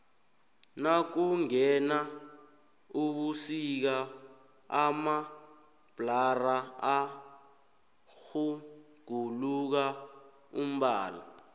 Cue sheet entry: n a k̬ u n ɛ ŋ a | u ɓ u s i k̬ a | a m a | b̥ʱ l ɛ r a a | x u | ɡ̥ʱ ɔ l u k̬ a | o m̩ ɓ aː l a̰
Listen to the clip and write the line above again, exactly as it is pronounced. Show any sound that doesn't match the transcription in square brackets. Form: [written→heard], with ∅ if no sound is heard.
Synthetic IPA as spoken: n a k̬ u [n→ŋ] ɛ [ŋ→n] a | u ɓ u s i k̬ a | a m a | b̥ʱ l [ɛ→a] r a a | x u | ɡ̥ʱ [ɔ→u] l u k̬ a | [o→u] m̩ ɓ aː l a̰